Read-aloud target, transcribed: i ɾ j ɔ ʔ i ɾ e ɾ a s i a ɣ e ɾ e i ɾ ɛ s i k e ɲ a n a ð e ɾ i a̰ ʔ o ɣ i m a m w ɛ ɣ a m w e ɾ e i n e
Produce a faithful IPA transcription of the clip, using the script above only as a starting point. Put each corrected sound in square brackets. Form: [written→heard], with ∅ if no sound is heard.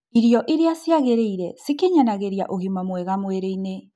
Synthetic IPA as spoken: i ɾ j ɔ ʔ i ɾ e [ɾ→∅] a s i a ɣ e ɾ e i ɾ ɛ s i k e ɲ a n a [ð→ɣ] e ɾ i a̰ ʔ o ɣ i m a m w ɛ ɣ a m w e ɾ e i n e

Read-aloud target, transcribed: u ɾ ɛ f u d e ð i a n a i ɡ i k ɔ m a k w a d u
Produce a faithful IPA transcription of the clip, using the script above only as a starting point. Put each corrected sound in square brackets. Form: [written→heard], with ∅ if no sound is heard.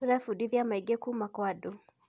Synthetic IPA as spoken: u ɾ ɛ f u d [e→i] ð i a [n→m] a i ɡ [i→e] k [ɔ→u] m a k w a d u

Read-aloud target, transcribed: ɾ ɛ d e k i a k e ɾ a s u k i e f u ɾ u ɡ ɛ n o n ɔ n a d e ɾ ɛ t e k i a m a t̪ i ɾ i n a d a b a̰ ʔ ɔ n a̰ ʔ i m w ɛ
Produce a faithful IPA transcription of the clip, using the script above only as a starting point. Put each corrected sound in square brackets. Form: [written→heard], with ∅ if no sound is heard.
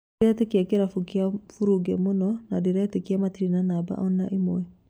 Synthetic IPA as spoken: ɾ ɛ [d→t] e k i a k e ɾ a [s→f] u k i [e→a] f u ɾ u ɡ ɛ [n→m] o n ɔ n a d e ɾ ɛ t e k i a m a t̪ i ɾ i n a [d→n] a b a̰ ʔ ɔ n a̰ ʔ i m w ɛ

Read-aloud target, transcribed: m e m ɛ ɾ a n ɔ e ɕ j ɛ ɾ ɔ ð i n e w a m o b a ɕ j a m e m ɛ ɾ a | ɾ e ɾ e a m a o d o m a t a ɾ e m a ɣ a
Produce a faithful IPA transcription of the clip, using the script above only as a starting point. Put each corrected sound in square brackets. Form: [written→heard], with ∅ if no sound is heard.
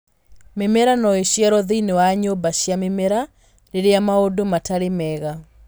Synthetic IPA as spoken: m e m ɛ ɾ a n ɔ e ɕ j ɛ ɾ ɔ ð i n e w a [m→ɲ] o b a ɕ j a m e m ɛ ɾ a | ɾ e ɾ e a m a o d o m a t a ɾ e m [a→ɛ] ɣ a

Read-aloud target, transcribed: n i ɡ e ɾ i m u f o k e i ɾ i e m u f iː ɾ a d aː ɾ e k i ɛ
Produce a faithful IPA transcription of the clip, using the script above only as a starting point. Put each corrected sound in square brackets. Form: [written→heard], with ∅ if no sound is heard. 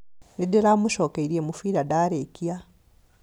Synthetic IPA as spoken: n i [ɡ→d] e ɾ [i→a] m u [f→ʃ] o k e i ɾ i e m u f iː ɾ a d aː ɾ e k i [ɛ→a]

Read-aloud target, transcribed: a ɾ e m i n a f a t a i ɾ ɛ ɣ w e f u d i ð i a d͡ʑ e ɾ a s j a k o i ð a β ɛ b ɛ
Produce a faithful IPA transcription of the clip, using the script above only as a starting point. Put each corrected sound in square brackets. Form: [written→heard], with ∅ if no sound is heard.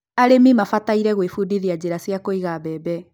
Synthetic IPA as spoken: a ɾ e m i [n→m] a f a t a i ɾ ɛ ɣ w e f u d i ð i a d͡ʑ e ɾ a s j a k o i [ð→ɣ] a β ɛ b ɛ

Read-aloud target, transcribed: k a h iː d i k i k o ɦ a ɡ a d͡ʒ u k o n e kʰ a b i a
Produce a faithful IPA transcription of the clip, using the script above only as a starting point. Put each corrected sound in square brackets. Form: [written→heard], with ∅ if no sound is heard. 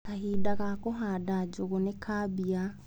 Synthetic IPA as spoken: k a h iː d [i→a] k [i→a] k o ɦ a [ɡ→d] a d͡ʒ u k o n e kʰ a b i a

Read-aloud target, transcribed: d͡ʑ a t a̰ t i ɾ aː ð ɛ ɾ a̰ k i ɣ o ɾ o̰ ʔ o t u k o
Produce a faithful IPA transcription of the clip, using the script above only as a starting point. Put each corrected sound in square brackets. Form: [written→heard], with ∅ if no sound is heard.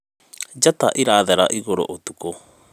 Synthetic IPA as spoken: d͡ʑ a t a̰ [t→ʔ] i ɾ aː ð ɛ ɾ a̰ [k→ʔ] i ɣ o ɾ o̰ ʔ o t u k o

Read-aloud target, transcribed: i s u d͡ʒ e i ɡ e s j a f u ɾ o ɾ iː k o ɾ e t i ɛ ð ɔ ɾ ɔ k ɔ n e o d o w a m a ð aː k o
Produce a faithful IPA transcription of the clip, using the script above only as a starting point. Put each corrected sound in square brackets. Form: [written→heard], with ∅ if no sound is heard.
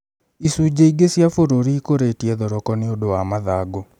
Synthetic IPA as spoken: i s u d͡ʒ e i ɡ e s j a f [u→o] ɾ o ɾ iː k o ɾ e t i ɛ ð ɔ ɾ ɔ k ɔ n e o d o w a m a ð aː [k→ɡ] o

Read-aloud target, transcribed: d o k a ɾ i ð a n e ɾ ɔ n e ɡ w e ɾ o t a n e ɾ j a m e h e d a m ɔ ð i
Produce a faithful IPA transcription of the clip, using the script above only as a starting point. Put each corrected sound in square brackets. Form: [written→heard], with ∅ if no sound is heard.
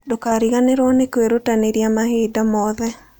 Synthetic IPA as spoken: d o k a ɾ i [ð→ɣ] a n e ɾ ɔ n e [ɡ→k] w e ɾ o t a n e ɾ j a m [e→a] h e d a m ɔ ð [i→ɛ]

